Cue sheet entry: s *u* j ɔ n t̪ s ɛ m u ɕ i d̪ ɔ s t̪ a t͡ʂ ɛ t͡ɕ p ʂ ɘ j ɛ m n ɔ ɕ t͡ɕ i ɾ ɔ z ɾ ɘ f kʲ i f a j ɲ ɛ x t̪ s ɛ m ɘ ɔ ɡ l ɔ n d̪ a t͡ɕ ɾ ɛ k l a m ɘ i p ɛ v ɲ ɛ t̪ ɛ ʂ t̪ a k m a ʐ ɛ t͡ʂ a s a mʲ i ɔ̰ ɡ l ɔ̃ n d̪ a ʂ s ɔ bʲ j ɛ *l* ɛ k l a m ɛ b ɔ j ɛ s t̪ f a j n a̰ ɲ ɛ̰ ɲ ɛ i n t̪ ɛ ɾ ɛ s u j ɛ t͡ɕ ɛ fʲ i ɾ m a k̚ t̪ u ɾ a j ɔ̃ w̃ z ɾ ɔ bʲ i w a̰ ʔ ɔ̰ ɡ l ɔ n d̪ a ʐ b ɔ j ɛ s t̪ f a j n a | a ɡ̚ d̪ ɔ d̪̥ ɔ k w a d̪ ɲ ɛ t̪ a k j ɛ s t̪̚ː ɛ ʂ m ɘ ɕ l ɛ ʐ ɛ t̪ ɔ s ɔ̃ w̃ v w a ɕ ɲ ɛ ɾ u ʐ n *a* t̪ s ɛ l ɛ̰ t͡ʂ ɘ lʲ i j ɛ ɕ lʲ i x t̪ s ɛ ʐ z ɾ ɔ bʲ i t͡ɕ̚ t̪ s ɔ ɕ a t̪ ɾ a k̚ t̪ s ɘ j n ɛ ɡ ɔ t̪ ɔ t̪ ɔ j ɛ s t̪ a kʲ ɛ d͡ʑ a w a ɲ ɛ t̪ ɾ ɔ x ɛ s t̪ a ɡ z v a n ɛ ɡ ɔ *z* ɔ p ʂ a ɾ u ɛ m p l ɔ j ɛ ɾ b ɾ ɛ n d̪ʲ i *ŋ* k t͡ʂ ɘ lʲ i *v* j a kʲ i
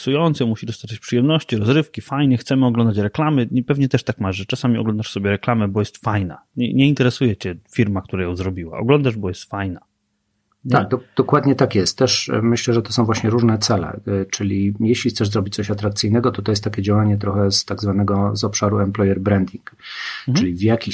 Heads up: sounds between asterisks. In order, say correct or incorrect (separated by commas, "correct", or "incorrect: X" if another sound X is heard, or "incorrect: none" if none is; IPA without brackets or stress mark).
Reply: correct, incorrect: ɾ, incorrect: ɛ, correct, correct, correct